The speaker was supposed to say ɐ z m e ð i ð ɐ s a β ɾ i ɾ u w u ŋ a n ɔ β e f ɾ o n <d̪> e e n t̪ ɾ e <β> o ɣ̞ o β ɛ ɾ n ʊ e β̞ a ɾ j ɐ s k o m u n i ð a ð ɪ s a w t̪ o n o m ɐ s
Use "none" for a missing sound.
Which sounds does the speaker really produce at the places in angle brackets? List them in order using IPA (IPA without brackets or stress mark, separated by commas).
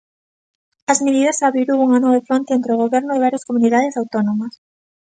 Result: t̪, none